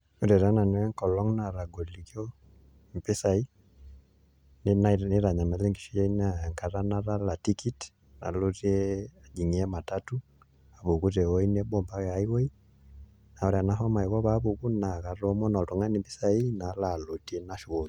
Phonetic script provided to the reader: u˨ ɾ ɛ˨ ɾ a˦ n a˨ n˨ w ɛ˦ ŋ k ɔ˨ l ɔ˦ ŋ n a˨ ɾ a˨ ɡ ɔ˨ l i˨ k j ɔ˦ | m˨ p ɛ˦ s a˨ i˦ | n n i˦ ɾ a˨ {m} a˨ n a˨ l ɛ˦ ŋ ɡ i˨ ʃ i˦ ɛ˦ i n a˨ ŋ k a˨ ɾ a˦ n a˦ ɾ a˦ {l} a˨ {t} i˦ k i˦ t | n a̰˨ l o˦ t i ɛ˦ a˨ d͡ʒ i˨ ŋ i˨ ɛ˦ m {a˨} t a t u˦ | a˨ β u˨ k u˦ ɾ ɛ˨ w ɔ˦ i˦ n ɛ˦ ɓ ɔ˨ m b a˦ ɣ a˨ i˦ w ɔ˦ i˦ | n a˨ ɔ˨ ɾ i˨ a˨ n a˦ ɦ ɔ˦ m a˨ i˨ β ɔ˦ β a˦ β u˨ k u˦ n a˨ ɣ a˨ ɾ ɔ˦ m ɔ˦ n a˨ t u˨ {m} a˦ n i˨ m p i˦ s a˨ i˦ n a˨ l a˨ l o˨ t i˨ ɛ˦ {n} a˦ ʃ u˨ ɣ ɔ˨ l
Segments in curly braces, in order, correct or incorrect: incorrect: ɲ, correct, correct, correct, incorrect: ŋ, correct

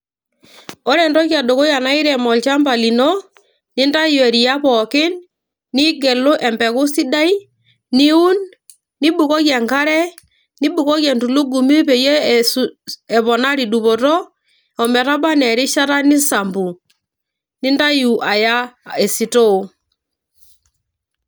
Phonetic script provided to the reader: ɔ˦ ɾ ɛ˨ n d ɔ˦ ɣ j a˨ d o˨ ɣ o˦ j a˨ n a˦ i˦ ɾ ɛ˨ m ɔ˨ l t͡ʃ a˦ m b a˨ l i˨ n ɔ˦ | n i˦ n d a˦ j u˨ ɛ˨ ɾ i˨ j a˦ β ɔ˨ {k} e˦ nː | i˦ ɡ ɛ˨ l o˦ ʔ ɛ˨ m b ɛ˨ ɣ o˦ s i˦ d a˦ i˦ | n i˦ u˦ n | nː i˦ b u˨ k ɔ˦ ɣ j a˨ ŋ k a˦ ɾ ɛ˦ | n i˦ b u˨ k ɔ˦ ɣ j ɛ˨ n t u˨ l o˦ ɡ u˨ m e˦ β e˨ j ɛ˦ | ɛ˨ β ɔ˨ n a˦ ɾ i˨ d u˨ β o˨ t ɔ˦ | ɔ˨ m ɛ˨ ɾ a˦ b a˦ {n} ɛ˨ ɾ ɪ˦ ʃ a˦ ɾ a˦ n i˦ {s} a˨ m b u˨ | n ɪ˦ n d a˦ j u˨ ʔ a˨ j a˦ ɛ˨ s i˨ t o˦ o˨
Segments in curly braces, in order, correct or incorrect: correct, correct, correct

